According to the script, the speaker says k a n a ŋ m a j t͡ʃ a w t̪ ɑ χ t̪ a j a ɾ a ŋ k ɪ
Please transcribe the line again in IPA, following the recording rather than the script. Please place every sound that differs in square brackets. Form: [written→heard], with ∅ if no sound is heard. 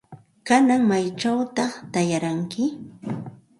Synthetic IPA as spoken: k a n a ŋ m a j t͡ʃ a w t̪ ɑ χ t̪ a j a ɾ a ŋ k ɪ